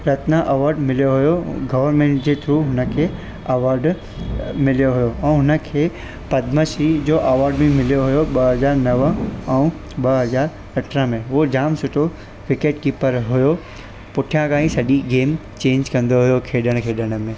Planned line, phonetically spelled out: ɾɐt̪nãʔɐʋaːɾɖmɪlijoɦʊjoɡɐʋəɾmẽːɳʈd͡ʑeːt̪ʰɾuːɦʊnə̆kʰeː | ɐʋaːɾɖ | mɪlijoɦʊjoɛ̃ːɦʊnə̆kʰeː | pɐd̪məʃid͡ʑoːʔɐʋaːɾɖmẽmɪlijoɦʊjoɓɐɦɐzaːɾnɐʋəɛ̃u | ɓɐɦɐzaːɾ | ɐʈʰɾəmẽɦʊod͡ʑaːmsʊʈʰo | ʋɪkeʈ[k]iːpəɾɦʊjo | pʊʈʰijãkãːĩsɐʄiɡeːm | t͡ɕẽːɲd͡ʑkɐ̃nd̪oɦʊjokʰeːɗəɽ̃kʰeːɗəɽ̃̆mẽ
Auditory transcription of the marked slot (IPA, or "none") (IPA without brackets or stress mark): k